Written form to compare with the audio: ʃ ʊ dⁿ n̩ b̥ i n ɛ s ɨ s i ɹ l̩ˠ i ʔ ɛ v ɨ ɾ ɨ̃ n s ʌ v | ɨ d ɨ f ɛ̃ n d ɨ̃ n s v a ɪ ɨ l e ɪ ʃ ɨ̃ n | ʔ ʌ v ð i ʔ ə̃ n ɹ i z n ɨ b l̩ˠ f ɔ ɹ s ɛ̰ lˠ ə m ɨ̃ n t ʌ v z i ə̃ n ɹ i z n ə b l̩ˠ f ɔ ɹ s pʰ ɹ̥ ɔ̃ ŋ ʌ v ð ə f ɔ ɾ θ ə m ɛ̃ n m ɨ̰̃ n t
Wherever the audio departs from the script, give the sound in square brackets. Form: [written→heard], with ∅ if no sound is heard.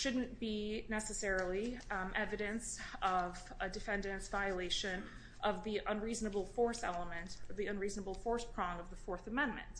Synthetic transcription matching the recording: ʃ ʊ dⁿ n̩ b̥ i n ɛ s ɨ s [i→ɛ] ɹ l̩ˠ i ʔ ɛ v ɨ ɾ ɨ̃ n s ʌ v | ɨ d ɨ f ɛ̃ n d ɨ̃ n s v a ɪ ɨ l e ɪ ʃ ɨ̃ n | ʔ ʌ v ð i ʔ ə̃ n ɹ i z n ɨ b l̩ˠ f ɔ ɹ s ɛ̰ lˠ ə m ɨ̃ n t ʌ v [z→ð] i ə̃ n ɹ i z n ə b l̩ˠ f ɔ ɹ s pʰ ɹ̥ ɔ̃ ŋ ʌ v ð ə f ɔ [ɾ→ɹ] θ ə m ɛ̃ n m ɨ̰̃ n t